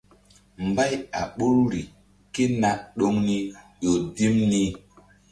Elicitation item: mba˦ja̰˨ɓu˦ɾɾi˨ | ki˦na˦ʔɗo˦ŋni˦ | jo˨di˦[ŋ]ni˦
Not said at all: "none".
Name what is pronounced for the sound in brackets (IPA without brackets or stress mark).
m